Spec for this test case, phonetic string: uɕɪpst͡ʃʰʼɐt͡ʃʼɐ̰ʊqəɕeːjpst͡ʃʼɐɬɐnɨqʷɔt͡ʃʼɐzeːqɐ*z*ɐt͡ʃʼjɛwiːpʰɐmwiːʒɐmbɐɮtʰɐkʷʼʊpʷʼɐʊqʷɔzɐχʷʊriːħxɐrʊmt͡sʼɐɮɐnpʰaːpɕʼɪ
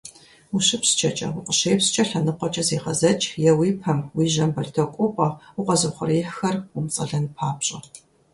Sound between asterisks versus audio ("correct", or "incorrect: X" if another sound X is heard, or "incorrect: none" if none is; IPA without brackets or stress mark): correct